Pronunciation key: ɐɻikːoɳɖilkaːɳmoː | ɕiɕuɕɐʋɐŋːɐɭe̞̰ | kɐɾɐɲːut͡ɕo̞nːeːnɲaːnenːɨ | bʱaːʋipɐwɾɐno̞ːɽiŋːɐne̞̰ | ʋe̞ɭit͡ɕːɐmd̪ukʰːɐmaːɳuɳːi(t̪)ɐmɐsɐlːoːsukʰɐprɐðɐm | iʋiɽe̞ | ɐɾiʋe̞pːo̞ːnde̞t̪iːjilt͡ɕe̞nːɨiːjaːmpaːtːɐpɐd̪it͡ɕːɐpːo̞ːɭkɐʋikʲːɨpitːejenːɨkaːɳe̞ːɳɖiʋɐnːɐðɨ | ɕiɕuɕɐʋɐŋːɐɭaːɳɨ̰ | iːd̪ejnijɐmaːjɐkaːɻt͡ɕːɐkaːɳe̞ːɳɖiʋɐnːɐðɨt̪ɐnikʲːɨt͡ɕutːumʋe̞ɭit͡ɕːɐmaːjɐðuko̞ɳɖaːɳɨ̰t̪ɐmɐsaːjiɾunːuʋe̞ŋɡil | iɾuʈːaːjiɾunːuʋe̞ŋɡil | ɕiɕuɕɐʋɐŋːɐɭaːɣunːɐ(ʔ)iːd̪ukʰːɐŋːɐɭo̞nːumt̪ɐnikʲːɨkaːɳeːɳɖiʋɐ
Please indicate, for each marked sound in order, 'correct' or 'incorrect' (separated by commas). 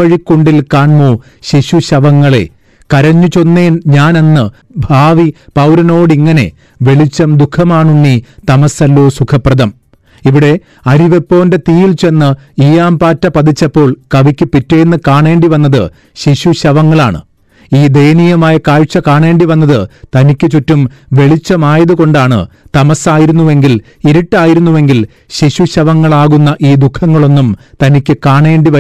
correct, correct